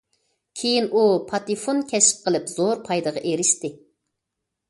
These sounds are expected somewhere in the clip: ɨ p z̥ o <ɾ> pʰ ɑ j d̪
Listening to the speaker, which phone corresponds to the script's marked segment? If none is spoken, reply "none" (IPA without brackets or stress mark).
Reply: ɾ